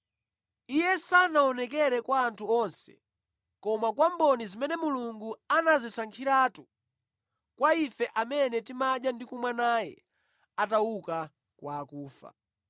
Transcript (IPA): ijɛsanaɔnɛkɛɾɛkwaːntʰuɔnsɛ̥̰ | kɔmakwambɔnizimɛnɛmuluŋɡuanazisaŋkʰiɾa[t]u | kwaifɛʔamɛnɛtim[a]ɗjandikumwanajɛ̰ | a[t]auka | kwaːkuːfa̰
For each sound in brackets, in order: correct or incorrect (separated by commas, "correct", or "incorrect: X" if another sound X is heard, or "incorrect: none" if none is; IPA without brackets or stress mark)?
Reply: correct, correct, correct